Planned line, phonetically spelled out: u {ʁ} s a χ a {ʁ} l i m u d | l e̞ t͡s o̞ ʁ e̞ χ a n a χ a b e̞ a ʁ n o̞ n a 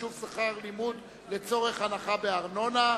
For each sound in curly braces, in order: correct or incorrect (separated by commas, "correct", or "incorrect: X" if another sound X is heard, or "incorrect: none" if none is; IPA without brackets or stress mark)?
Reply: incorrect: v, correct